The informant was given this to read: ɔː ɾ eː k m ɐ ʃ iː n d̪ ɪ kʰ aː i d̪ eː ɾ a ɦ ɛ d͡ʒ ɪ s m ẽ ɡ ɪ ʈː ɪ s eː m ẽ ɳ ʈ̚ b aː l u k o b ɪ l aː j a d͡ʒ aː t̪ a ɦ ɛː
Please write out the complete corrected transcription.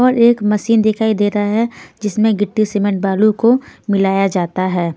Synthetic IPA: ɔː ɾ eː k m ɐ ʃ iː n d̪ ɪ kʰ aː i d̪ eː ɾ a ɦ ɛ d͡ʒ ɪ s m ẽ ɡ ɪ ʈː i s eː m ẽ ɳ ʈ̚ b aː l u k o m ɪ l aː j a d͡ʒ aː t̪ a ɦ ɛː